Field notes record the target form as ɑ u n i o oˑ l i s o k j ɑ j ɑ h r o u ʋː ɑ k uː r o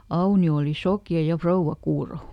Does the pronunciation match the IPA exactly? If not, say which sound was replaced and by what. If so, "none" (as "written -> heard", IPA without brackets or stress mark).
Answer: h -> f